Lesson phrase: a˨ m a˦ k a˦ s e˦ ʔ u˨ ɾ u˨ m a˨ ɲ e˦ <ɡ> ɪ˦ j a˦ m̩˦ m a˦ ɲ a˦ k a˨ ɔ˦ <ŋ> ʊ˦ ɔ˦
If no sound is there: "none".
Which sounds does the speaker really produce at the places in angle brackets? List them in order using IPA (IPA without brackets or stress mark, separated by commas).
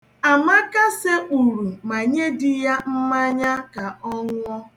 d, ŋ